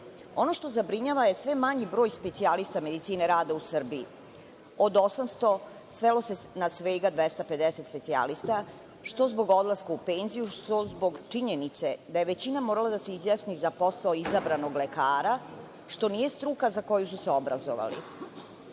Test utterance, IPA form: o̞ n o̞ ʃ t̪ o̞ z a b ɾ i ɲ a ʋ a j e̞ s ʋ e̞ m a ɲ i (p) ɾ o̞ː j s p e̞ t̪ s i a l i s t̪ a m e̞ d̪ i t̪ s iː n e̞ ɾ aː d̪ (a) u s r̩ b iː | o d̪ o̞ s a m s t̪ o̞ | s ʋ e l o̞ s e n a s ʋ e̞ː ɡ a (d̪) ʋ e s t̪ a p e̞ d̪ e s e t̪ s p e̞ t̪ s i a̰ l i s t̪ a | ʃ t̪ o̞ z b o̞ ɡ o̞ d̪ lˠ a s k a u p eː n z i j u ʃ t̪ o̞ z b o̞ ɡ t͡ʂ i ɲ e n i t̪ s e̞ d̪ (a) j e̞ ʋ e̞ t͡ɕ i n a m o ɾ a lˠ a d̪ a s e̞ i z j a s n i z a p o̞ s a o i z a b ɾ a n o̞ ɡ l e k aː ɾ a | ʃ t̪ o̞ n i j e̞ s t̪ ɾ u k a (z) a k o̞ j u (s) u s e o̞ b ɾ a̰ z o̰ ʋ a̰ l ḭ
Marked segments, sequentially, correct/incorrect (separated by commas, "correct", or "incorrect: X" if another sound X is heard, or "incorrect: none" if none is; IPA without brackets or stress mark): incorrect: b, correct, correct, correct, correct, correct